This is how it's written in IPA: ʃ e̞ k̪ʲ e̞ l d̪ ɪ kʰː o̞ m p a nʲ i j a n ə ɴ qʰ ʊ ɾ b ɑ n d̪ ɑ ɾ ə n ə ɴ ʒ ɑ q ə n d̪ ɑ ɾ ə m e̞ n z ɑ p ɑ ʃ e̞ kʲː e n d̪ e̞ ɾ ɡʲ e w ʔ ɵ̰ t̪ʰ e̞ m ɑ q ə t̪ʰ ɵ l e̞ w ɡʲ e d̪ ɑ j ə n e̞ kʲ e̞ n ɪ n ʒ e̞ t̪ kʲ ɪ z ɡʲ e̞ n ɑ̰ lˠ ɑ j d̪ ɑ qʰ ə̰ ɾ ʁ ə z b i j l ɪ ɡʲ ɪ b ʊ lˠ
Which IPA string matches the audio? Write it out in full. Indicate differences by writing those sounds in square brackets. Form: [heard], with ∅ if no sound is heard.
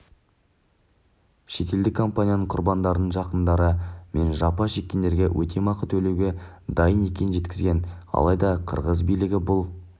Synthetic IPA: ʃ e̞ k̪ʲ e̞ l d̪ ɪ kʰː o̞ m p a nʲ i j a n ə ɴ qʰ ʊ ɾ b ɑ n d̪ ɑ ɾ ə n ə ɴ ʒ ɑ q ə n d̪ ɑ ɾ ə m e̞ n [ʒ] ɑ p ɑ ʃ e̞ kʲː e n d̪ e̞ ɾ ɡʲ e w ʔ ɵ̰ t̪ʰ e̞ m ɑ q ə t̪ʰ ɵ l e̞ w ɡʲ e d̪ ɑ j ə n e̞ kʲ e̞ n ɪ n ʒ e̞ t̪ kʲ ɪ z ɡʲ e̞ n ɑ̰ lˠ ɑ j d̪ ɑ qʰ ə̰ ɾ ʁ ə z b i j l ɪ ɡʲ ɪ b ʊ lˠ